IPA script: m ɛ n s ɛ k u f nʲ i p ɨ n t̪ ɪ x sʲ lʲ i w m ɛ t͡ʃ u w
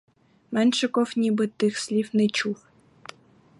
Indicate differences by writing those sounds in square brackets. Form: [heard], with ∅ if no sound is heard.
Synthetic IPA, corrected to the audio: m ɛ n [ʃ] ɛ k [ɔ] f nʲ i [b] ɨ [∅] t̪ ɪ x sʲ lʲ i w [n] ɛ t͡ʃ u w